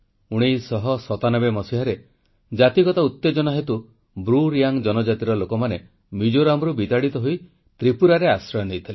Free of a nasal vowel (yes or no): yes